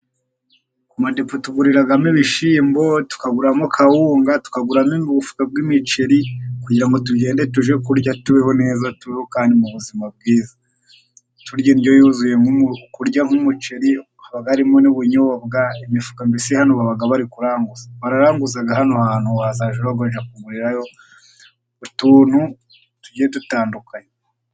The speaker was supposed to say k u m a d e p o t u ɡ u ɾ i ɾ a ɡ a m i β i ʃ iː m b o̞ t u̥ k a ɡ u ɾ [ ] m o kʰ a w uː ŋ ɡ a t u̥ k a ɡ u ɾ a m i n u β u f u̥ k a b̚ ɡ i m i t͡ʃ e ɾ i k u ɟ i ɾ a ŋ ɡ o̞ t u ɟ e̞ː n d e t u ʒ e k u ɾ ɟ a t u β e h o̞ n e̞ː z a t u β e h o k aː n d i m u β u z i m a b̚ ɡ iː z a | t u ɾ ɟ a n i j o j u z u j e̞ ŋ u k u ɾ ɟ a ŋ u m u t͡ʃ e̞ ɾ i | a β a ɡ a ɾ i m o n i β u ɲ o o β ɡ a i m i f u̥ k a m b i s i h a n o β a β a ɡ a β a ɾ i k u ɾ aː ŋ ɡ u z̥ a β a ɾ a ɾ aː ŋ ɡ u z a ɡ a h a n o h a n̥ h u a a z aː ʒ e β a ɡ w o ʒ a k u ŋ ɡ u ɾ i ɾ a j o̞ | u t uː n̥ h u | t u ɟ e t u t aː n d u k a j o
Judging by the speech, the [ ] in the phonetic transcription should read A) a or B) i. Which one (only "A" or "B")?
A